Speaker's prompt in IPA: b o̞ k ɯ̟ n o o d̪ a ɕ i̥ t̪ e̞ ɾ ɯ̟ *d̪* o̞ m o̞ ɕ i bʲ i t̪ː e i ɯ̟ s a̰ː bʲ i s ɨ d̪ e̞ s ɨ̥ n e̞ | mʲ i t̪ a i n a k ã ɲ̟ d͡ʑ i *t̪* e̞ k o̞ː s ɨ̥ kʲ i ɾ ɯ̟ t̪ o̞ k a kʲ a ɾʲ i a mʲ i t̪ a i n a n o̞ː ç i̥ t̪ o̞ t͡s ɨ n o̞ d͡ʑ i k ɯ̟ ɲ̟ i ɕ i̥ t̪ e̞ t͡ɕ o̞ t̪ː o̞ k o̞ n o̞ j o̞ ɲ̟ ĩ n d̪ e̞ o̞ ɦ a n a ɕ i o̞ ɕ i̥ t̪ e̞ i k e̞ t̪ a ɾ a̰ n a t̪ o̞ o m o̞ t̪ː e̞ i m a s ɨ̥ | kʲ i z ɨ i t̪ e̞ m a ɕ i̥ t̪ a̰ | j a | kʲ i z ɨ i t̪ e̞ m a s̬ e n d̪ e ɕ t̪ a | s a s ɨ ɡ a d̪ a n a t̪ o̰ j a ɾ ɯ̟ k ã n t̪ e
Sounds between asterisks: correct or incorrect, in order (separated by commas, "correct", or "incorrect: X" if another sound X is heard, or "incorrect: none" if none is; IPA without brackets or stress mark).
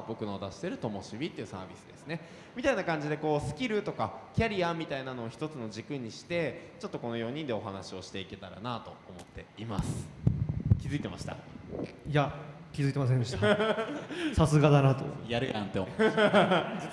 incorrect: t̪, incorrect: d̪